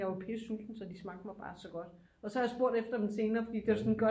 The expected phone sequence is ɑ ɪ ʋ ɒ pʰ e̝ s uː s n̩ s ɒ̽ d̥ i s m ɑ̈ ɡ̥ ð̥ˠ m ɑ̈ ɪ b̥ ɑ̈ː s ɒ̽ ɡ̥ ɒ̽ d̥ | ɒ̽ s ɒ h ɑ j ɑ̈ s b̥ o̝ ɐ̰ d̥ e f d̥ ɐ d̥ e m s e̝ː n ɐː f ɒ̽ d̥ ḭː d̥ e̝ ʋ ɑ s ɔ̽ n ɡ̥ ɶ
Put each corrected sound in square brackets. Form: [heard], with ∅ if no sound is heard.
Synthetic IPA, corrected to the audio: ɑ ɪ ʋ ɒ pʰ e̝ s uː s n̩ s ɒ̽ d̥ i s m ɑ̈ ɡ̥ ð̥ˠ m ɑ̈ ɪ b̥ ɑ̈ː s ɒ̽ ɡ̥ ɒ̽ d̥ | ɒ̽ s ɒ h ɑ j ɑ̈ s b̥ o̝ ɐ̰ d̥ e f d̥ ɐ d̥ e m s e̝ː n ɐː f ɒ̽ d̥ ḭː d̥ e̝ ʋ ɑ s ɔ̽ n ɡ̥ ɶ